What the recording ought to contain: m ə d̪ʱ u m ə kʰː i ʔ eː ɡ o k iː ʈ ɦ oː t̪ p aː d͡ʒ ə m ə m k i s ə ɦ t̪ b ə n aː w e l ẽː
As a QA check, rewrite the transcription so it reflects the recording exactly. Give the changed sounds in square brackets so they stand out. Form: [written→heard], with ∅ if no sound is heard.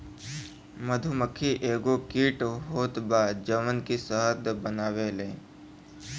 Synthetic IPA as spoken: m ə d̪ʱ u m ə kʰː i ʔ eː ɡ o k iː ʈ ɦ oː t̪ [p→b] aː d͡ʒ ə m ə [m→n] k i s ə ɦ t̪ b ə n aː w e l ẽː